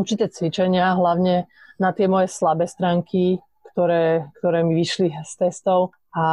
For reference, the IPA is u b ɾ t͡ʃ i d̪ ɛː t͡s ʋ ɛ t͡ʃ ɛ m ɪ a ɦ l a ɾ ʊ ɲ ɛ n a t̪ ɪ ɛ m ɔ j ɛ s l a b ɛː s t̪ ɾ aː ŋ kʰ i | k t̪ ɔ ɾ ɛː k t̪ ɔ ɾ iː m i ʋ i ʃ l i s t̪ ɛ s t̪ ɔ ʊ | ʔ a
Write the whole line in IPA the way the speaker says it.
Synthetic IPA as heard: u ɾ t͡ʃ i t̪ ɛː t͡s ʋ i t͡ʃ ɛ ɲ ɪ a ɦ l a ʊ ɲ ɛ n a t̪ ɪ ɛ m ɔ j ɛ s l a b ɛː s t̪ ɾ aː ŋ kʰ i | k t̪ ɔ ɾ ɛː k t̪ ɔ ɾ ɛː m i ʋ i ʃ l i s t̪ ɛ s t̪ ɔ ʊ | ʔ a